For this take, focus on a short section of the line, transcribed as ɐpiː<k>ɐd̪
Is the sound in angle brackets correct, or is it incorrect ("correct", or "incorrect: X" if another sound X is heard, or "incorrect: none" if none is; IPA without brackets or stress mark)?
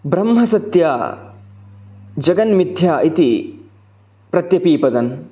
incorrect: p